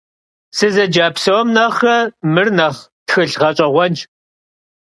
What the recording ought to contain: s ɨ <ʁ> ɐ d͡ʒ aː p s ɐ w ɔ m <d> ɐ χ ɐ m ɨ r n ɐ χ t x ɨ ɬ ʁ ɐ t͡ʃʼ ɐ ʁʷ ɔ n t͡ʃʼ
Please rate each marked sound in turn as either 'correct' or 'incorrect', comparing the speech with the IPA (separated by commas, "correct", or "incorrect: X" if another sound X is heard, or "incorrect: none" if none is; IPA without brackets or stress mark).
incorrect: z, incorrect: n